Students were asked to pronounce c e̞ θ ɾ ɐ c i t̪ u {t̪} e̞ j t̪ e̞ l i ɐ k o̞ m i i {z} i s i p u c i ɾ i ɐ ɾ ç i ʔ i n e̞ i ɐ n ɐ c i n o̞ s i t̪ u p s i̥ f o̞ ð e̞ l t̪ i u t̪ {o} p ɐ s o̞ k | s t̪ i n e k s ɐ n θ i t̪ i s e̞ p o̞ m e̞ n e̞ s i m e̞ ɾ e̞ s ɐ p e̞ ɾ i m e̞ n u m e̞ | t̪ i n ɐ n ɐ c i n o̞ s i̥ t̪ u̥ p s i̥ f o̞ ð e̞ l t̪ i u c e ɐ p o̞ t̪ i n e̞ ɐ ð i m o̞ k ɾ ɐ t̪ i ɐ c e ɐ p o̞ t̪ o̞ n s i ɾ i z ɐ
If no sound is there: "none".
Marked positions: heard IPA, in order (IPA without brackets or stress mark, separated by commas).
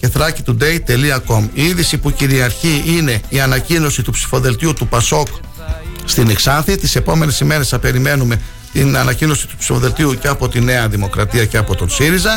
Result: d̪, ð, u